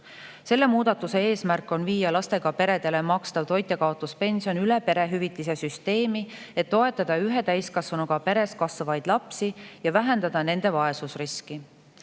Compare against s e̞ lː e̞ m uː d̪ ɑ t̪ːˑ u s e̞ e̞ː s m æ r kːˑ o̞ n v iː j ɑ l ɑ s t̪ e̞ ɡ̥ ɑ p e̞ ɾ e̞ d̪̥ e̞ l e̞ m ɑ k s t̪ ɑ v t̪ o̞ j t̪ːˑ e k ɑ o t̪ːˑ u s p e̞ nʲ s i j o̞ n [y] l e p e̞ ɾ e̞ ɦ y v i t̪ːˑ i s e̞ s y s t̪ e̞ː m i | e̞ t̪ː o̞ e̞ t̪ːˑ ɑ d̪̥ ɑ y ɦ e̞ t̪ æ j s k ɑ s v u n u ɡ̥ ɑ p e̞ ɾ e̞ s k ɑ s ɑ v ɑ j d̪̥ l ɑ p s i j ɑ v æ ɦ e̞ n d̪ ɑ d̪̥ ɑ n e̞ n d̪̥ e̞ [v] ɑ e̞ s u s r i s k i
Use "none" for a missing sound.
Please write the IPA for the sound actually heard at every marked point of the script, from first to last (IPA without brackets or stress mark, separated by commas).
y, v